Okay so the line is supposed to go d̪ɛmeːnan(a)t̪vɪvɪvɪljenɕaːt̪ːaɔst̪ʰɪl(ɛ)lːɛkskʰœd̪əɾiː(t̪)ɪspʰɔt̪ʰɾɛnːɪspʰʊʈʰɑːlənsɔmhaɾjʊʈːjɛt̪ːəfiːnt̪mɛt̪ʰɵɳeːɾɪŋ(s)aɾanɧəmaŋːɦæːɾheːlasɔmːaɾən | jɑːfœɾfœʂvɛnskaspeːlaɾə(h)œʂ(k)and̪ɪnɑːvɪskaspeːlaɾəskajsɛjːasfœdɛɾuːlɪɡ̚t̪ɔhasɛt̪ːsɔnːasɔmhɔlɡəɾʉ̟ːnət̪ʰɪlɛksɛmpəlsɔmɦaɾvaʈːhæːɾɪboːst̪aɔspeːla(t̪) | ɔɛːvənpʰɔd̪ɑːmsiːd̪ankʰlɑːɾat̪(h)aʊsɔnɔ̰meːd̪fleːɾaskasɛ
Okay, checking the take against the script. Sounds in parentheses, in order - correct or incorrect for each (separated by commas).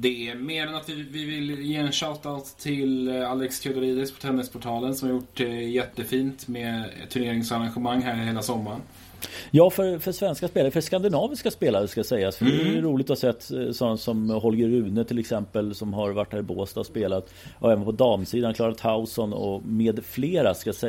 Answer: correct, incorrect, incorrect, correct, incorrect, correct, correct, correct